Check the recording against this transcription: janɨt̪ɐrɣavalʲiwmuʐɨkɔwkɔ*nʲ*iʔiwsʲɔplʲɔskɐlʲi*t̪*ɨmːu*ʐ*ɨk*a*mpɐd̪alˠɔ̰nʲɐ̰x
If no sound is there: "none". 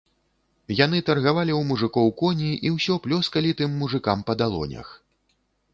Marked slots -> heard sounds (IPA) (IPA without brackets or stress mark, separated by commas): nʲ, t̪, ʐ, a